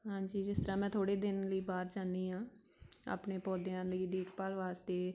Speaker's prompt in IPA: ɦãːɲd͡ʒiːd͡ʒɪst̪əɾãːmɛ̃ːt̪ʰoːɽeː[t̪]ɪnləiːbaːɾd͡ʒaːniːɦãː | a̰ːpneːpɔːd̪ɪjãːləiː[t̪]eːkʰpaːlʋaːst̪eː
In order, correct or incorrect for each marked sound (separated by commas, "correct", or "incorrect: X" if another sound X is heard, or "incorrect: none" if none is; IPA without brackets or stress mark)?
incorrect: d̪, incorrect: d̪